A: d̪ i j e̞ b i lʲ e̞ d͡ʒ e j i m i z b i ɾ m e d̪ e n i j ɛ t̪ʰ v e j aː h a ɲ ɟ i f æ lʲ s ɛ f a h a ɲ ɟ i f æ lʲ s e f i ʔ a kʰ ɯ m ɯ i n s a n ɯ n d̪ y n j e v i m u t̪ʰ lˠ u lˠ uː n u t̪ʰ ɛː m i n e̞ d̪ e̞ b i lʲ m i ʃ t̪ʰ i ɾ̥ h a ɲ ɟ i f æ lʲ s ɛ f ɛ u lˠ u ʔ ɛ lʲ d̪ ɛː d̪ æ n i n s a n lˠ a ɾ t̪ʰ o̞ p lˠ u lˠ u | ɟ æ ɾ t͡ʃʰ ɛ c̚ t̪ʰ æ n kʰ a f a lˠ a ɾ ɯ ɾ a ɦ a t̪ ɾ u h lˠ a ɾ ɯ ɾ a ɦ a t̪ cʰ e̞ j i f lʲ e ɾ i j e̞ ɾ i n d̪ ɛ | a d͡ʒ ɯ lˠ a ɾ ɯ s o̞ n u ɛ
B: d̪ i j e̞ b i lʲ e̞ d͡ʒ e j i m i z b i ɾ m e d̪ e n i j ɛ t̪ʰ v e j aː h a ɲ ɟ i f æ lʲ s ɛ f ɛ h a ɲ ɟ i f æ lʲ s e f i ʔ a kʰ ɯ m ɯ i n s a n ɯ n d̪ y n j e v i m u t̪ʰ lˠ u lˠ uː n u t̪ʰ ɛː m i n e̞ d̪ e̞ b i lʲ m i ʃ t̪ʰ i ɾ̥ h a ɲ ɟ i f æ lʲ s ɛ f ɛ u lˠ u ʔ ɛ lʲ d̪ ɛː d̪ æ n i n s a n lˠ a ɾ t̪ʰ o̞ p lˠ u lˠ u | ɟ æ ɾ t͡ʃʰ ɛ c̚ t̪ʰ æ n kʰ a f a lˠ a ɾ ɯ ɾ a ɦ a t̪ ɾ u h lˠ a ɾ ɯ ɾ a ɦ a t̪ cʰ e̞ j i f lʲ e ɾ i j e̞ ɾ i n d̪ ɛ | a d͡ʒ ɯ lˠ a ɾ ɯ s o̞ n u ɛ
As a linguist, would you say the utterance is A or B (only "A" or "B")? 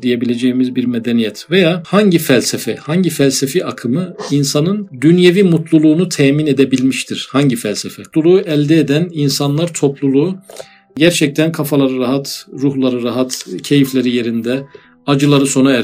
B